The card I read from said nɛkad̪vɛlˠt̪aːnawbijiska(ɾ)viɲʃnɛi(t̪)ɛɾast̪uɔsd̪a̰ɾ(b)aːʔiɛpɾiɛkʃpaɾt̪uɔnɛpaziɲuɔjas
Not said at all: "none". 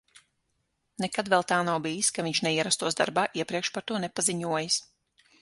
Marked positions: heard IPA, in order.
none, none, b

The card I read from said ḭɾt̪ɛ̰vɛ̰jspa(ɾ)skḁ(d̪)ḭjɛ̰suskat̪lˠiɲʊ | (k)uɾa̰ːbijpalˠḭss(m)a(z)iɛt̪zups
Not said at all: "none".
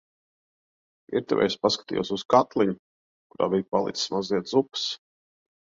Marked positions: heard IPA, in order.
none, t̪, k, m, z

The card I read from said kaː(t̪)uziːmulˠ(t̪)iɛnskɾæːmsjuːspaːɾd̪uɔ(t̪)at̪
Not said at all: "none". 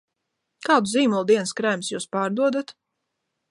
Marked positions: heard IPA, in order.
d̪, d̪, d̪

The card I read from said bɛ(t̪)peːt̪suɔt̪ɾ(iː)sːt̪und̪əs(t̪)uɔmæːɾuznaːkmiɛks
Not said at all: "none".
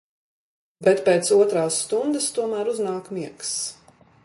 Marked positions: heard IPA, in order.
t̪, aː, t̪

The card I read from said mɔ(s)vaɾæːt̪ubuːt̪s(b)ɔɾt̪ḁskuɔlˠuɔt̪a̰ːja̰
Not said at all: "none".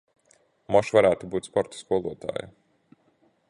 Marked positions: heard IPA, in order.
ʃ, p

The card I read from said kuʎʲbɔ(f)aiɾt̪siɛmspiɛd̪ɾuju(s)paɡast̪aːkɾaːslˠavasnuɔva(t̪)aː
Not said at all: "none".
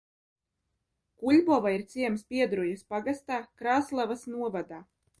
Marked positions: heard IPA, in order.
v, s, d̪

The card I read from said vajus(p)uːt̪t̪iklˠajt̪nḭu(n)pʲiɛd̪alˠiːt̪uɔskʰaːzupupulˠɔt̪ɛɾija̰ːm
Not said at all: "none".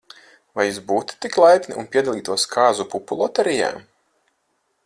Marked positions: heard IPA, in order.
b, n

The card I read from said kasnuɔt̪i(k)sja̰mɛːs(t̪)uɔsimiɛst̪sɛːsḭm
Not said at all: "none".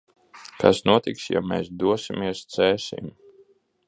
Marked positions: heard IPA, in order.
k, d̪

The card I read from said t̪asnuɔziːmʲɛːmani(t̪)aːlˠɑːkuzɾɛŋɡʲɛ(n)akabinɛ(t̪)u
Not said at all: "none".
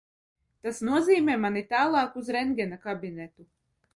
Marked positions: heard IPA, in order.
t̪, n, t̪

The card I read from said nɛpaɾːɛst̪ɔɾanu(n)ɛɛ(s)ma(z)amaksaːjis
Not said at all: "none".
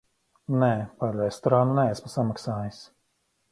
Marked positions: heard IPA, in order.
n, s, s

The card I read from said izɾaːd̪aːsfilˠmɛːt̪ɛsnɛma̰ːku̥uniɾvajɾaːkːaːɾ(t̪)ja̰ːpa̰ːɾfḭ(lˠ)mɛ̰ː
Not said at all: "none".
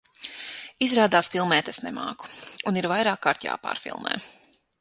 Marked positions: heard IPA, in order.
t̪, lˠ

